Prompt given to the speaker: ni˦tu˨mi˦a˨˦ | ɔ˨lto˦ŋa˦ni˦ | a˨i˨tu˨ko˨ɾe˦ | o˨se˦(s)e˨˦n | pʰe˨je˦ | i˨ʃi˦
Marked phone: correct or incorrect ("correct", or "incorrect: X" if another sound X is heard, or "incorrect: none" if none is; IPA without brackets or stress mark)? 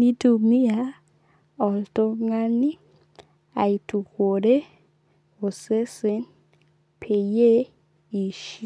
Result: correct